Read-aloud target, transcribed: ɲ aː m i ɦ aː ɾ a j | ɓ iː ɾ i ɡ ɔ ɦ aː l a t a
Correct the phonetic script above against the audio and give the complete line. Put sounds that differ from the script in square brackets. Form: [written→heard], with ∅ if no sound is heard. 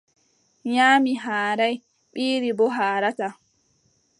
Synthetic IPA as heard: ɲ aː m i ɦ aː ɾ a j | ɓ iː ɾ i [ɡ→b] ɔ ɦ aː [l→ɾ] a t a